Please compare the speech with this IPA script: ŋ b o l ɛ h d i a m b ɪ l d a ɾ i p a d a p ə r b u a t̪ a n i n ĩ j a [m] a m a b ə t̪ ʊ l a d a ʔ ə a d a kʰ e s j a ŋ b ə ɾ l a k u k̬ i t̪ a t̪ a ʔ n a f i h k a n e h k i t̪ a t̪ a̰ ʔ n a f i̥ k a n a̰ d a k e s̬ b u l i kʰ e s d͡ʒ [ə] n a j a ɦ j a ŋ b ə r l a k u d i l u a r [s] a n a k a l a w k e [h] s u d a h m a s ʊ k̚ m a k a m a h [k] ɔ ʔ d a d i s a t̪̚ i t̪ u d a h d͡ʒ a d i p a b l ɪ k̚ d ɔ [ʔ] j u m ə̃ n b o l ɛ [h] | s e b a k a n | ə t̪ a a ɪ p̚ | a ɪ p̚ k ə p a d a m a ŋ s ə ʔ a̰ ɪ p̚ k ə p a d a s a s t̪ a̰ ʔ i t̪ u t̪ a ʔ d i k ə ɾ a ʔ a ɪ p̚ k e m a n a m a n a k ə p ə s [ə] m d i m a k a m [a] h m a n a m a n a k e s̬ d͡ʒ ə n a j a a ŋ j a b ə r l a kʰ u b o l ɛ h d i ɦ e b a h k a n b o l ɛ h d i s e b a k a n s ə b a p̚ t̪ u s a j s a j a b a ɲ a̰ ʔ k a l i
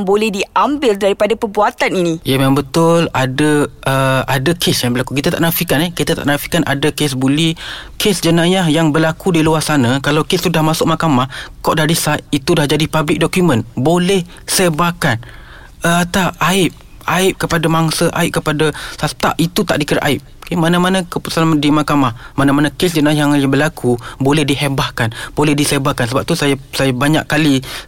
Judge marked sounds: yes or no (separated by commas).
yes, yes, yes, no, yes, no, yes, no, yes